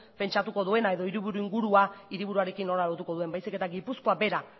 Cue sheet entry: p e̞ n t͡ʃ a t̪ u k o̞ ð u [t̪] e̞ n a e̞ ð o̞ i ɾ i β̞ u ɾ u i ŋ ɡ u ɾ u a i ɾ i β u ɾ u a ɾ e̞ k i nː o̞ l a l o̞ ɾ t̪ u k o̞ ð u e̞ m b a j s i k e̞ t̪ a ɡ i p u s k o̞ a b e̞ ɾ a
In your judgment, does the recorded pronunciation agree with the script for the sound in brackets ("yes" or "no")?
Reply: no